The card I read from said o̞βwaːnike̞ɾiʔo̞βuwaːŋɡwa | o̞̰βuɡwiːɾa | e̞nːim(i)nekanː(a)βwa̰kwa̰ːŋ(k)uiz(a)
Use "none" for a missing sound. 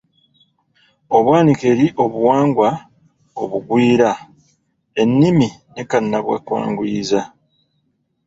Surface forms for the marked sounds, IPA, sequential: i, a, ɡ, a

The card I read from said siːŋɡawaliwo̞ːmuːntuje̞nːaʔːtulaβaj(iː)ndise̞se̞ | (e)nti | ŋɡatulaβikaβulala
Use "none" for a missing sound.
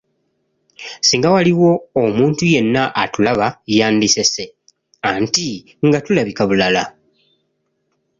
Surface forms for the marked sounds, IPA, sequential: aː, a

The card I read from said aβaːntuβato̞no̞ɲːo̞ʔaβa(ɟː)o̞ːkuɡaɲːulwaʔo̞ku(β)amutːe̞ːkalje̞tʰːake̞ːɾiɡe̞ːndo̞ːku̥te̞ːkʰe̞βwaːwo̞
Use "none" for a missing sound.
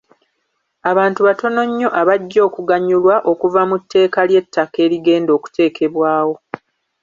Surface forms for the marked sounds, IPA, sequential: ɟː, v

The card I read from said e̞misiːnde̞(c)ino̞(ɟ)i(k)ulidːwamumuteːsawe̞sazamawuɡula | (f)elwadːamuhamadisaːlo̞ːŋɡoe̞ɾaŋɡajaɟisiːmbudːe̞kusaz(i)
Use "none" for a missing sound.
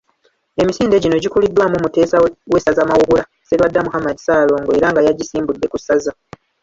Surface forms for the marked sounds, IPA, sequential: ɟ, ɟ, k, s, a

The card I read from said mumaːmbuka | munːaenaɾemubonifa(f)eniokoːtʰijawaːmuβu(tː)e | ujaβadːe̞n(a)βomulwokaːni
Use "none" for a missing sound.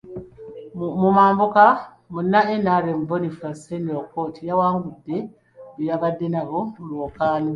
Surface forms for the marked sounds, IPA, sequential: s, dː, a

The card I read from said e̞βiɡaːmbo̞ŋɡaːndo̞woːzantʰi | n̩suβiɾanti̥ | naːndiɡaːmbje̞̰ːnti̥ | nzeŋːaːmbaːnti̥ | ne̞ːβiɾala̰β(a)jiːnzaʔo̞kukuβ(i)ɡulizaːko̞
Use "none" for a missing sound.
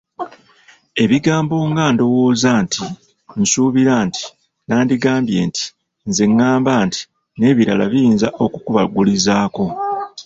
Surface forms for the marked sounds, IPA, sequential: i, a

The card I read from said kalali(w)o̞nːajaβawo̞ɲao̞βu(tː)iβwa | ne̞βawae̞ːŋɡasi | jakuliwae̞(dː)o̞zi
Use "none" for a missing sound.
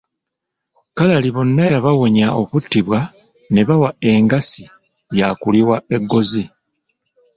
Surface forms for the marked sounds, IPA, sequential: β, tː, ɡː

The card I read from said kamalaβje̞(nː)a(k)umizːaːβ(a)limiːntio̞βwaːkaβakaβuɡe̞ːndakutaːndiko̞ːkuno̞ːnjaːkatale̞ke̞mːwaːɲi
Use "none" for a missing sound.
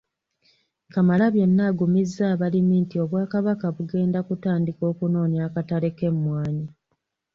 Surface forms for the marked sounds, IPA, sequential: nː, ɡ, a

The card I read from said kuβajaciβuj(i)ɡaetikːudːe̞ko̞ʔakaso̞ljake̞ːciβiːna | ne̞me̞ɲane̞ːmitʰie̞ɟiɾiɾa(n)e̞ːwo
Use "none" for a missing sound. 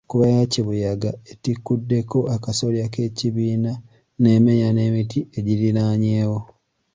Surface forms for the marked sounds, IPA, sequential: a, ɲ

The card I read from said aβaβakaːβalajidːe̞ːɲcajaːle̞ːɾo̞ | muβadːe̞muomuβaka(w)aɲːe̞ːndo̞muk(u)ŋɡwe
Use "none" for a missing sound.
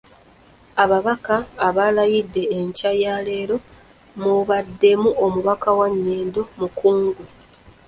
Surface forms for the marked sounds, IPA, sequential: w, uː

